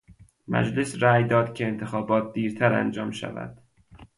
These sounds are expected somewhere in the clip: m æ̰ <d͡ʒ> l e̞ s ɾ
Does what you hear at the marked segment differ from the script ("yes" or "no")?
no